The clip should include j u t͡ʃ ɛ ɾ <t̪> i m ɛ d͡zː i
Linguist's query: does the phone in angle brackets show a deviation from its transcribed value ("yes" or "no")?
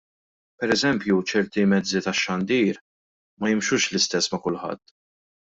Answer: no